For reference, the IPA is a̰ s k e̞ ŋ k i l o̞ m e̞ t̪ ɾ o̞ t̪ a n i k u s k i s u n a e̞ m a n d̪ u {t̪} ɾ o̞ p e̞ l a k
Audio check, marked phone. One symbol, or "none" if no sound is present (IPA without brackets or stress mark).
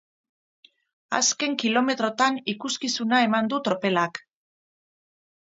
t̪